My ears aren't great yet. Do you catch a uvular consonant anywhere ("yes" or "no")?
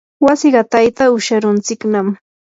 yes